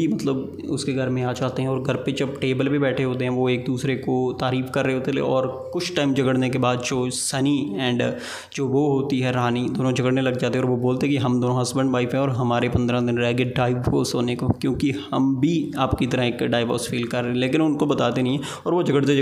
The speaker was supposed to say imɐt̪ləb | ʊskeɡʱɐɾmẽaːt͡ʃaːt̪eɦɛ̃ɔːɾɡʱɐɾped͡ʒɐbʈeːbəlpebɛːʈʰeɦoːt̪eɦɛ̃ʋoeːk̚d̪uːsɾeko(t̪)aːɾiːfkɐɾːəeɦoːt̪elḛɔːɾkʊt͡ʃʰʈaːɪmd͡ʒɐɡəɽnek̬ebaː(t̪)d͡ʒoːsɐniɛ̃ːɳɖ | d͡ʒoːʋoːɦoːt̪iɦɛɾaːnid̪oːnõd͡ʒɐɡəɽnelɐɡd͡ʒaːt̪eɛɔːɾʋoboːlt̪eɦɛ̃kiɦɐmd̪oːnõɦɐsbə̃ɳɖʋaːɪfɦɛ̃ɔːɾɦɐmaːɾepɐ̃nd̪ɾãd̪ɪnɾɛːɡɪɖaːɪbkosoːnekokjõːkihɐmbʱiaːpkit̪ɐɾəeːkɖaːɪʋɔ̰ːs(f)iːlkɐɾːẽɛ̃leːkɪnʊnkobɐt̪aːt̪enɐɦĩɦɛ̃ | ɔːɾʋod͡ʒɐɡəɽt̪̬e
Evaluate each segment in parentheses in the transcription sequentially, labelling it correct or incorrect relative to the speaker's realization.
correct, incorrect: d̪, correct

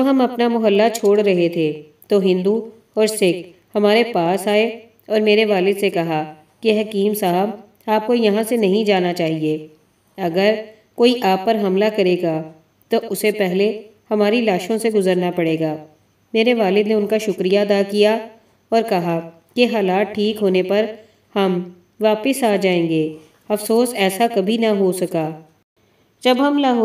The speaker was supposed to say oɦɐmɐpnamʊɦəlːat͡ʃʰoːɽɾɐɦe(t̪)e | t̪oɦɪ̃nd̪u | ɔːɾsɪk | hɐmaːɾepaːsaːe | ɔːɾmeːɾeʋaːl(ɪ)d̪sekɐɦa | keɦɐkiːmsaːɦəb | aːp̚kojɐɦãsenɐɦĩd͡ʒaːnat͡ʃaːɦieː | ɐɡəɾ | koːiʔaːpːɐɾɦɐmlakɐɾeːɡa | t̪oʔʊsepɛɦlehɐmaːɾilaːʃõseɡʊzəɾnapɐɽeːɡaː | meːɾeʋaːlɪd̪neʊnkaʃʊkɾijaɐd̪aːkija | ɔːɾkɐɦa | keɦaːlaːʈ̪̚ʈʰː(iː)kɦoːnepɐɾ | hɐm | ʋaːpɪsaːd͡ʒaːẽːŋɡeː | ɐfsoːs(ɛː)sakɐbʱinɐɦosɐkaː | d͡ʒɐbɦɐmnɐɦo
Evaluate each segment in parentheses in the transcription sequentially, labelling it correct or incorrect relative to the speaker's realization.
incorrect: t̪ʰ, correct, correct, correct

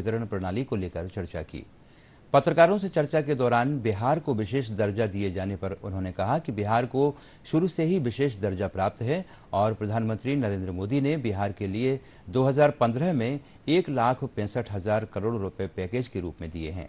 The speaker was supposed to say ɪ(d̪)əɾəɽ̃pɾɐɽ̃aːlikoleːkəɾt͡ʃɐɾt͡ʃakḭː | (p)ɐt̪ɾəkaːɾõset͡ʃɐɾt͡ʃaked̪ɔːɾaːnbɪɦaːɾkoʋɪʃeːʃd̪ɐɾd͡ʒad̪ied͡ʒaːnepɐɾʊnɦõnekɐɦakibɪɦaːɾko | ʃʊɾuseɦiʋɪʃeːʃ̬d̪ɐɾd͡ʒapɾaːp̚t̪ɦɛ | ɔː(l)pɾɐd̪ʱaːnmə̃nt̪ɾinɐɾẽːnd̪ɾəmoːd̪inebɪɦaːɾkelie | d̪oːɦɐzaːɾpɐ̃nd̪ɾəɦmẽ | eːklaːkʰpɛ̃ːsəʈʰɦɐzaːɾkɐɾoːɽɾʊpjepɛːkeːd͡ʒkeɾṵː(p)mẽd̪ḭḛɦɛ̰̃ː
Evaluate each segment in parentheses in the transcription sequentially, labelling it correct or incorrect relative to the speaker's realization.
incorrect: t̪, correct, incorrect: ɾ, correct

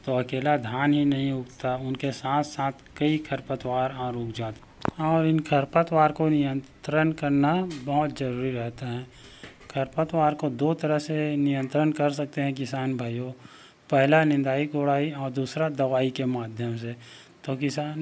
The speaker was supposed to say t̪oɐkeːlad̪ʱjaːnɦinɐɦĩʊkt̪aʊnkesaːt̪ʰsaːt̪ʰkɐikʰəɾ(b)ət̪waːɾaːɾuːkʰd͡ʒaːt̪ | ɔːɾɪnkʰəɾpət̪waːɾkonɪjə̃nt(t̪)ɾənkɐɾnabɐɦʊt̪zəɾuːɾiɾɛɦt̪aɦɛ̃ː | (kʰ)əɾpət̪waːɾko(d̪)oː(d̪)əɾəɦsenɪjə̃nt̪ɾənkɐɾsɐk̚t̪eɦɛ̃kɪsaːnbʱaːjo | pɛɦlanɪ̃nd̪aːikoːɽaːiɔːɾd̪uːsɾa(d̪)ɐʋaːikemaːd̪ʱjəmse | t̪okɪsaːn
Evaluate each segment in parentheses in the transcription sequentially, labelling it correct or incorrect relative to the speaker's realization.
incorrect: p, correct, correct, correct, incorrect: t̪, correct

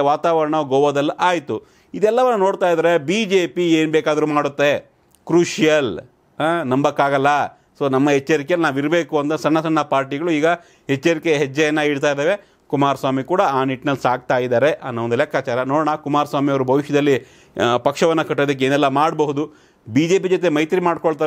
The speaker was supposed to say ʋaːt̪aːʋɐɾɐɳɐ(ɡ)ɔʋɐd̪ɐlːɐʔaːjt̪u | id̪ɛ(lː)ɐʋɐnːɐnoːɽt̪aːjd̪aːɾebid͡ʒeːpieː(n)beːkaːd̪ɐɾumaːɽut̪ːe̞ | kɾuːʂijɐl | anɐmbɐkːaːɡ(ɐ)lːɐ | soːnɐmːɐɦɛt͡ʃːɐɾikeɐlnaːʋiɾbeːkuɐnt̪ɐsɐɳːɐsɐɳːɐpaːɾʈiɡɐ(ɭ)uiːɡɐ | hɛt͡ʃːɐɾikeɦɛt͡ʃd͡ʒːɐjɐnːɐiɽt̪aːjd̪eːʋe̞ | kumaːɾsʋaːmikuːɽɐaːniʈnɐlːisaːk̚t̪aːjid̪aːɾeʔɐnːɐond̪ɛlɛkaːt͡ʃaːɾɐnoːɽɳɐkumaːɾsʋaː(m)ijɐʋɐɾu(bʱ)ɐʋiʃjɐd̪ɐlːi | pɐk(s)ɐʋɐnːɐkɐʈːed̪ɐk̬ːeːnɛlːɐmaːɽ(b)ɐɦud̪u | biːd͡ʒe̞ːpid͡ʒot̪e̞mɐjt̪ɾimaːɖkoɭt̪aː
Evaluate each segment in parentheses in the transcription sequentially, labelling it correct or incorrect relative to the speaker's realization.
correct, correct, correct, correct, correct, correct, correct, incorrect: ʂ, correct

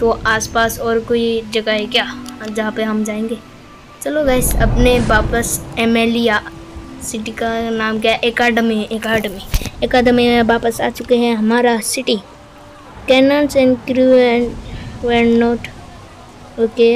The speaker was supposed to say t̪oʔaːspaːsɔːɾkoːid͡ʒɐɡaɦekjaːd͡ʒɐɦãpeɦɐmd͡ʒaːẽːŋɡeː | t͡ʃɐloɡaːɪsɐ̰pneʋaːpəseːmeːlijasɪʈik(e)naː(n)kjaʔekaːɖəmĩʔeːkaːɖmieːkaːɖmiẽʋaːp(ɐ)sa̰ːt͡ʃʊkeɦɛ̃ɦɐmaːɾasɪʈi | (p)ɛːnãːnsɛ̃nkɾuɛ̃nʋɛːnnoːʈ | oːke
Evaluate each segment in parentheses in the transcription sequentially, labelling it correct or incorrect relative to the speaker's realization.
incorrect: a, incorrect: m, incorrect: ə, incorrect: k

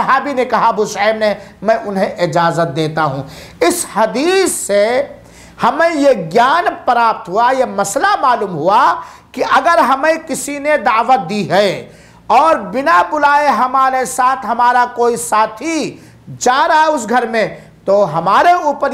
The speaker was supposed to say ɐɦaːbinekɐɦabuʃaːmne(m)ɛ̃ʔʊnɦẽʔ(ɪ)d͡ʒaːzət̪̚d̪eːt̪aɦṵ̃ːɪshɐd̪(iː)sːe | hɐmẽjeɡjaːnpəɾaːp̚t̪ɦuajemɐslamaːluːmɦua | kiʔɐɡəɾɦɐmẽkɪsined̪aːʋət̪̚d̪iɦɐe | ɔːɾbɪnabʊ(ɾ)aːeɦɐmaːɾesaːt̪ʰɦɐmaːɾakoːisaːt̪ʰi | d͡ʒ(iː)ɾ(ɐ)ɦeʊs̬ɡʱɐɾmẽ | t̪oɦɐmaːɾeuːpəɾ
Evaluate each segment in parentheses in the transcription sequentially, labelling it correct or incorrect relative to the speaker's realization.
correct, correct, correct, incorrect: l, incorrect: aː, incorrect: a

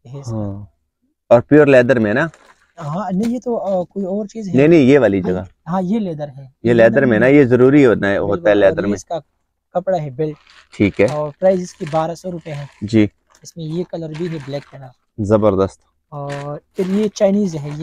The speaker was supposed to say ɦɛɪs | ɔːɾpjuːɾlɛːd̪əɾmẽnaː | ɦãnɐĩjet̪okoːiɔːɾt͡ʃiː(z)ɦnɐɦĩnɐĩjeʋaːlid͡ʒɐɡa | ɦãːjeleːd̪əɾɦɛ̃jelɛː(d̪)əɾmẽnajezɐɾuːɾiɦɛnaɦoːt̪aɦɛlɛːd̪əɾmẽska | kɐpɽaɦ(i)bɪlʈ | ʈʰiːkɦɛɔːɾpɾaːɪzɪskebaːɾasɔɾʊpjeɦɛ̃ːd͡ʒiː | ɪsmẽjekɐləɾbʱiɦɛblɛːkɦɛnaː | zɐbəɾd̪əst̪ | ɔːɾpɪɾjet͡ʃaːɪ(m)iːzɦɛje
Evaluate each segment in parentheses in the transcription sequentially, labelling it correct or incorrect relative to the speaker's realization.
correct, correct, incorrect: ɛ, incorrect: n

